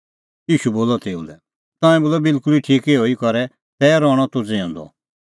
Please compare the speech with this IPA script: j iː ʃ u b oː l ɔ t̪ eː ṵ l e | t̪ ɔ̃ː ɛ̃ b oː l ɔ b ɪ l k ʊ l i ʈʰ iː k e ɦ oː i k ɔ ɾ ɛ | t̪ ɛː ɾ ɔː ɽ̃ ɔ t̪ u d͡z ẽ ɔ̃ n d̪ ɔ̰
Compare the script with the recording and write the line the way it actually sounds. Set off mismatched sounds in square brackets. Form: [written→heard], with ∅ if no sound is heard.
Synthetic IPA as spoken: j iː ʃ u b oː l ɔ t̪ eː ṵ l [e→ɛ] | t̪ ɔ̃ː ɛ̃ b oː l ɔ b ɪ l k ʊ l i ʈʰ iː k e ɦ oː i k ɔ ɾ ɛ | t̪ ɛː ɾ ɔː ɽ̃ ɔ t̪ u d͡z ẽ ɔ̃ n d̪ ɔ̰